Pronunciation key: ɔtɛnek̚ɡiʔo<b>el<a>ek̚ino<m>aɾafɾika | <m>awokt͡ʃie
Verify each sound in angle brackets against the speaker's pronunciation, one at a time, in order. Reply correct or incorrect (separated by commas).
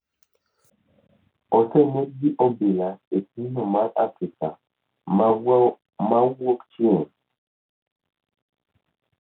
correct, correct, correct, correct